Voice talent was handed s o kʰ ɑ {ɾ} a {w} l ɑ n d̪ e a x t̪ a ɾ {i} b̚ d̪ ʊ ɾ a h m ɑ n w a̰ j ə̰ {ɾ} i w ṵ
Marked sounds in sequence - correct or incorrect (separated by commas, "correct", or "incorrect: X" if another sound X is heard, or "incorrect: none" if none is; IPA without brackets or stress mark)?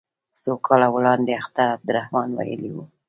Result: incorrect: l, correct, incorrect: a, incorrect: l